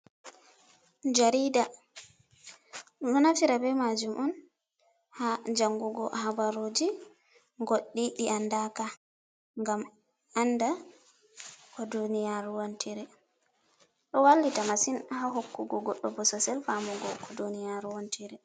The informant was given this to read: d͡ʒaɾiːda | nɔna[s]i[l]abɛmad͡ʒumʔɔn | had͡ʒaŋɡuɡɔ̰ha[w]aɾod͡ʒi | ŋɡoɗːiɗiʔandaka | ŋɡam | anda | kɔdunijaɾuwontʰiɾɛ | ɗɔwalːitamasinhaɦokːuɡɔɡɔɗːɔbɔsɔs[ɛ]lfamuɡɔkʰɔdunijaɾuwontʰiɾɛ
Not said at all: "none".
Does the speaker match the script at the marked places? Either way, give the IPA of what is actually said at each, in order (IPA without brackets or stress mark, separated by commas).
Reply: f, ɾ, b, ɛ